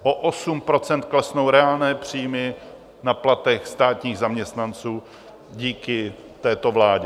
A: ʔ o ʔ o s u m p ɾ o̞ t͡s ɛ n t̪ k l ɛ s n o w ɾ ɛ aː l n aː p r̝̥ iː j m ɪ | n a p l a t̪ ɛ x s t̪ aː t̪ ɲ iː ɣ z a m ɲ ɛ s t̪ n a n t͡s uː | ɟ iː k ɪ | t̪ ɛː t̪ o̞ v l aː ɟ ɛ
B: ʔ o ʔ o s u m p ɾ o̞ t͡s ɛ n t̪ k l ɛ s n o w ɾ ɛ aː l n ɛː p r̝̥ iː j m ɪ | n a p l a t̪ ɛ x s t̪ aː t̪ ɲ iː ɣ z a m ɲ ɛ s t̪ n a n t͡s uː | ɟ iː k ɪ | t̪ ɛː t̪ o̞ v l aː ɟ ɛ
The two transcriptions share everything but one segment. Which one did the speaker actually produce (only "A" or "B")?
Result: B